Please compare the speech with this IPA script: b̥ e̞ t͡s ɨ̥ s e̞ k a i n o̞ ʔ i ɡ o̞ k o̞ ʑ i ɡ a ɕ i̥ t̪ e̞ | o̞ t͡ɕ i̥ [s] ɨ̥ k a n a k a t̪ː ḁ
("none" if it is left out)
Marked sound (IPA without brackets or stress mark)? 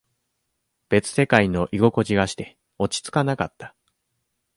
t͡s